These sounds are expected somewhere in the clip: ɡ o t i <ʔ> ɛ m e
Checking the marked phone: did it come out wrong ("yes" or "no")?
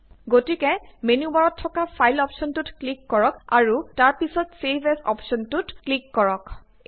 yes